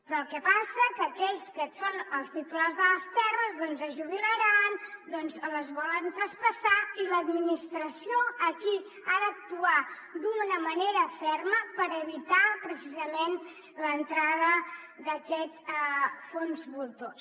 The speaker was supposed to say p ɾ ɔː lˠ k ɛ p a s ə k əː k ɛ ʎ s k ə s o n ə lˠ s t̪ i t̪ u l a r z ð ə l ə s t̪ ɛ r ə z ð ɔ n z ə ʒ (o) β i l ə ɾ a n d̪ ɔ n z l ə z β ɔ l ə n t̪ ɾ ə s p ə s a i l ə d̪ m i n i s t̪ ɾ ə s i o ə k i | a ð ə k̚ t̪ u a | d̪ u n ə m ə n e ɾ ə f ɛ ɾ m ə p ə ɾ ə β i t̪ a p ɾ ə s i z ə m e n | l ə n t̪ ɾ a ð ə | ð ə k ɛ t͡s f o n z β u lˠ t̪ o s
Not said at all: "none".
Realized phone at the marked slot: u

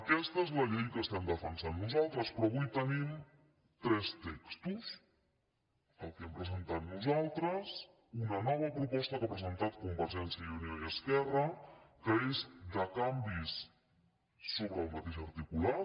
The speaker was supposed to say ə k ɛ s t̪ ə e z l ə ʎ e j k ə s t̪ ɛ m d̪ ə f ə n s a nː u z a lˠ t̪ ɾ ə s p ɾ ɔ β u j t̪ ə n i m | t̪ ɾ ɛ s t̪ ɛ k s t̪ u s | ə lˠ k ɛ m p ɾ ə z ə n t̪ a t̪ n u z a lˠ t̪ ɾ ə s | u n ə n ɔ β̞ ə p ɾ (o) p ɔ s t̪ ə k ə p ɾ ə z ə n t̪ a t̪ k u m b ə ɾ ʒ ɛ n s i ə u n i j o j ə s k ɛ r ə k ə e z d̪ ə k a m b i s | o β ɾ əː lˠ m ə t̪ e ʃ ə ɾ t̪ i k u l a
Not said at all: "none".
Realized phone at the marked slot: u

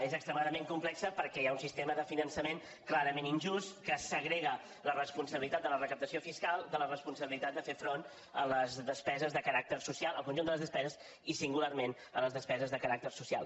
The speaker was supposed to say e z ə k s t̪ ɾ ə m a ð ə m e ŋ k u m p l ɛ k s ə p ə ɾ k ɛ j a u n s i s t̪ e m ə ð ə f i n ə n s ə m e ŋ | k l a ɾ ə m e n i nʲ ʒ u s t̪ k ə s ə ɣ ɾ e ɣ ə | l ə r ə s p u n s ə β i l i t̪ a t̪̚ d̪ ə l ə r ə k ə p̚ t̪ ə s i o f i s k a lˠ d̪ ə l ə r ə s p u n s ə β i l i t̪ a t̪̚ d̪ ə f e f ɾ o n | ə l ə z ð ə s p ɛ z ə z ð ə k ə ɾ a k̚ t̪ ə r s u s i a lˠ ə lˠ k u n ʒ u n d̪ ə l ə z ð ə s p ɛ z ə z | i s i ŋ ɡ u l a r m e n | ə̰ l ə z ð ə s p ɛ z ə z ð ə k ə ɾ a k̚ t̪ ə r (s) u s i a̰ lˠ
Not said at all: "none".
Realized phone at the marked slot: s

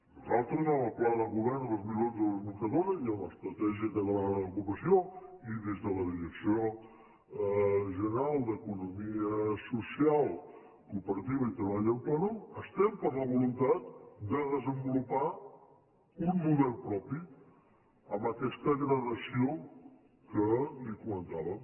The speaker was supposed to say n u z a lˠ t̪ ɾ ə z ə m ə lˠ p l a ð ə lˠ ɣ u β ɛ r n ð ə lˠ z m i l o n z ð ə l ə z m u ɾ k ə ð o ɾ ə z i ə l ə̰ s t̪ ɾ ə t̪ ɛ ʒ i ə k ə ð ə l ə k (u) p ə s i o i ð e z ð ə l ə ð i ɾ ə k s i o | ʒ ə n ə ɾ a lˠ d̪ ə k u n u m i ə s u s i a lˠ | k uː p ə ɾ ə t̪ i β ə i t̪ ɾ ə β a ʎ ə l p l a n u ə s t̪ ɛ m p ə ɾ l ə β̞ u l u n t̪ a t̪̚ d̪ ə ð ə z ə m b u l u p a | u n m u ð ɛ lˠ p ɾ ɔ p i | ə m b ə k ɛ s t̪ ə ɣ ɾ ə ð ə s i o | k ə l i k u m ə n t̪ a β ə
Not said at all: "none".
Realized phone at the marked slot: u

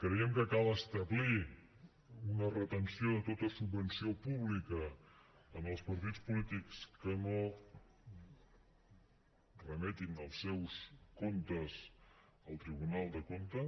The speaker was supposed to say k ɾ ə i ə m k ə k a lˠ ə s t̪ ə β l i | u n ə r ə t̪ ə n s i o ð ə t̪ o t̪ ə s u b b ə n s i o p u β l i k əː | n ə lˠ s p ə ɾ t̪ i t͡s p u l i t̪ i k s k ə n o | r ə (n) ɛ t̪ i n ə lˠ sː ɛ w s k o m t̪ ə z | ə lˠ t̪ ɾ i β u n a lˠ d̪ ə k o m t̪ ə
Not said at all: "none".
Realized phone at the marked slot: m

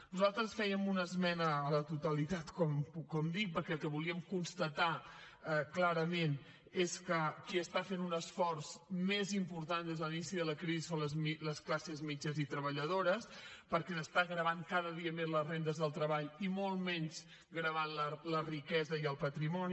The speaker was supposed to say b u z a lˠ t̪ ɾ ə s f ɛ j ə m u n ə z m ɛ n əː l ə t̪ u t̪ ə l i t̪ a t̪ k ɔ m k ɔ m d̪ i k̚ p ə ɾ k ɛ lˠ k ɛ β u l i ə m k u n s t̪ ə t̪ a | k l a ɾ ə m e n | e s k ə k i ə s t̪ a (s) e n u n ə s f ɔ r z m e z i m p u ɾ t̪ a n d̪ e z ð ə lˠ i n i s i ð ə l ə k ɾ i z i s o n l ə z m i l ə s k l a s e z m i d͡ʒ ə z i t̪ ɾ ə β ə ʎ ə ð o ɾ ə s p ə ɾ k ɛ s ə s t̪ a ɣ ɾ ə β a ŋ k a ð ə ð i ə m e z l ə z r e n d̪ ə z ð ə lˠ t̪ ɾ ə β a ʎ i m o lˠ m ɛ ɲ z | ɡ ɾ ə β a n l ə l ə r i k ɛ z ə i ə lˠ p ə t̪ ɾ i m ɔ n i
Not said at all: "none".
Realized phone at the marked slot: f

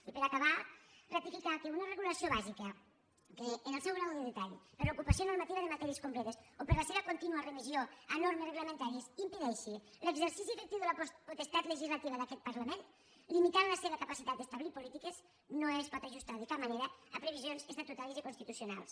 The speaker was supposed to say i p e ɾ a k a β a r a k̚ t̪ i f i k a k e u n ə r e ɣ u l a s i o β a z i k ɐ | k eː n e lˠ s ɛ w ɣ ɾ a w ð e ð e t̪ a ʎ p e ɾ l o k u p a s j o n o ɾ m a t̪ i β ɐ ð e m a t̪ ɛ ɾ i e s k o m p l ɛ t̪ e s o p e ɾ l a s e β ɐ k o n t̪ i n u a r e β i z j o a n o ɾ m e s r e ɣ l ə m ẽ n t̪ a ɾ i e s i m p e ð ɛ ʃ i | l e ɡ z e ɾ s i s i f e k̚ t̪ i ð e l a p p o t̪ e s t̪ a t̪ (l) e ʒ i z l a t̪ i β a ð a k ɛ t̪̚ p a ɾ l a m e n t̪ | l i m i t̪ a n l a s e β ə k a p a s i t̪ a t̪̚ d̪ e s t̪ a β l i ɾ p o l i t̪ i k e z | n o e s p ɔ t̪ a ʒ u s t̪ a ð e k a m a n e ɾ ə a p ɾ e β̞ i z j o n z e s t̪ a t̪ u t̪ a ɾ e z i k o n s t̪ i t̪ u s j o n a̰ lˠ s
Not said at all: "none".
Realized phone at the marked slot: l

